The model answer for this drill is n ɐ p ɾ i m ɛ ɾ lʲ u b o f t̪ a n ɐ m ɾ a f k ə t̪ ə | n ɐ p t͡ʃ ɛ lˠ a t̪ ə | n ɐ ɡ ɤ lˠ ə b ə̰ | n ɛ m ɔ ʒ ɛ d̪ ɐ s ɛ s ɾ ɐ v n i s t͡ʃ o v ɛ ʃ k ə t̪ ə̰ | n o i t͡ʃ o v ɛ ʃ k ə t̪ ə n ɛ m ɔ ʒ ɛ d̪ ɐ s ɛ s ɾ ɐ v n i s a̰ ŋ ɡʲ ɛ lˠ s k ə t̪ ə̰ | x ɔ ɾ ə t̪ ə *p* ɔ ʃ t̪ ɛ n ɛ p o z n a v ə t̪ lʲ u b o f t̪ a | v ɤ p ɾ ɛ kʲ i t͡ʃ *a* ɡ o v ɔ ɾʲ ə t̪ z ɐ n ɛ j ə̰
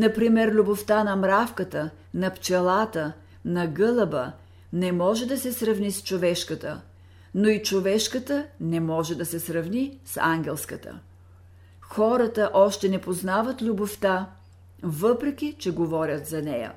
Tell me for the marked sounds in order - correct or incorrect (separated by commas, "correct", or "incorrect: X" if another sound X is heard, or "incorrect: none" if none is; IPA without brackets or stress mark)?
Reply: incorrect: ʔ, incorrect: ɛ